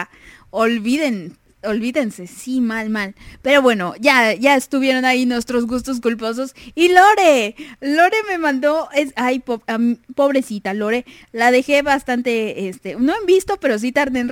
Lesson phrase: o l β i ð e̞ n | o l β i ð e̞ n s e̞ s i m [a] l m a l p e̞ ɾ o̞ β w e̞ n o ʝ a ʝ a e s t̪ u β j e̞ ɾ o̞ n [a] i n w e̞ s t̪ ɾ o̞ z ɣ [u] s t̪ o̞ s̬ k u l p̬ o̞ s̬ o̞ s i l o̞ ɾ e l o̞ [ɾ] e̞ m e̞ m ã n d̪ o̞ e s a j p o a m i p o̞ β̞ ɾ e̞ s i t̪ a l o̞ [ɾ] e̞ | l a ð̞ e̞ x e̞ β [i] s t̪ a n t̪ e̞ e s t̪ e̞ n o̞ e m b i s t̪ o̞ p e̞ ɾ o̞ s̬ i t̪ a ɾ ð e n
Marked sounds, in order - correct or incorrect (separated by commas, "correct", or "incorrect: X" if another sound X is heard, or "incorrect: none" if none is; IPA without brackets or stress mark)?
correct, correct, correct, correct, correct, incorrect: a